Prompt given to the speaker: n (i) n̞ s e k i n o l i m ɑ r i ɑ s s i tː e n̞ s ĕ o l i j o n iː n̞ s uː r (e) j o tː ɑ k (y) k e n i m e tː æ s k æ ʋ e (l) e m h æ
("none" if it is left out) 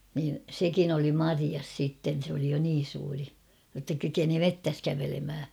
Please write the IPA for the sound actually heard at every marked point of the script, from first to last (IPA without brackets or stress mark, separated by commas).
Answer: iː, i, y, l